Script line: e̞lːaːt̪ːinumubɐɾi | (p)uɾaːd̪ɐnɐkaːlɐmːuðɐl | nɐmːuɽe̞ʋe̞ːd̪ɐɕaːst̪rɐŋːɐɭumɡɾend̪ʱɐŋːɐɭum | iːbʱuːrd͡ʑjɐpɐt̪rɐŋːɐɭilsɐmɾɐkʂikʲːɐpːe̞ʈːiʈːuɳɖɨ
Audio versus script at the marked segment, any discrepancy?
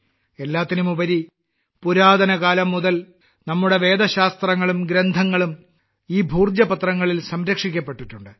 no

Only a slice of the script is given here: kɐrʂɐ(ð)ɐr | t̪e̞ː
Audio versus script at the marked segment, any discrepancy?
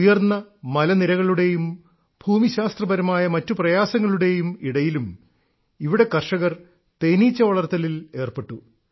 yes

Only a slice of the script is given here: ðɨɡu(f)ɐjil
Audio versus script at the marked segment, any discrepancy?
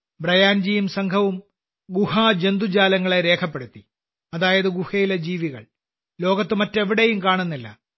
yes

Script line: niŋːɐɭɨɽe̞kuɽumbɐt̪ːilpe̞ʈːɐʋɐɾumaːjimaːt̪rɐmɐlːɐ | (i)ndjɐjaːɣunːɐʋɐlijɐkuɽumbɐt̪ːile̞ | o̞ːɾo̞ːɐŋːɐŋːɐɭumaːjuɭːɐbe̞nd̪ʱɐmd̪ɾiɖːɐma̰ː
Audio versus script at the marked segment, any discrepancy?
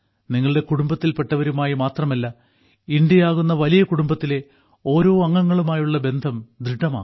no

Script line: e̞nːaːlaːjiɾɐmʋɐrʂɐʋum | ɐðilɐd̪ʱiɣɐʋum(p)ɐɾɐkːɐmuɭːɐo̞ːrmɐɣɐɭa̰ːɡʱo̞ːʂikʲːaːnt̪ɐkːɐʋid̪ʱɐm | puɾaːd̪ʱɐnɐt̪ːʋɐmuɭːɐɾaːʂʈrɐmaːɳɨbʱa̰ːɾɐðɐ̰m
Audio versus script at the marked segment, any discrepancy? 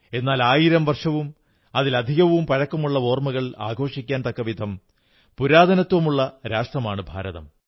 no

